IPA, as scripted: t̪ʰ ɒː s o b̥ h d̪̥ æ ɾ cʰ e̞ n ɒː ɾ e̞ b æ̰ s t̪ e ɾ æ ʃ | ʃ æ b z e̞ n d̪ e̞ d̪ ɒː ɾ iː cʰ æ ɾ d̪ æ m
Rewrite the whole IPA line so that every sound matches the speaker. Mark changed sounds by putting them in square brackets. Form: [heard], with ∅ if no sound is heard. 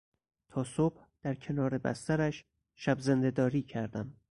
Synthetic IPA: t̪ʰ ɒː s o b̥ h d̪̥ æ ɾ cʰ e̞ n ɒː ɾ e̞ b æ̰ s t̪ [æ] ɾ æ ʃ | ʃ æ b z e̞ n d̪ e̞ d̪ ɒː ɾ iː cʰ æ ɾ d̪ æ m